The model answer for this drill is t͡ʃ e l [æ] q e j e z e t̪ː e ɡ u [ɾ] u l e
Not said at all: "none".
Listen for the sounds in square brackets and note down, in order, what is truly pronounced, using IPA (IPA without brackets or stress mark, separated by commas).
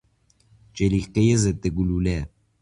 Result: i, l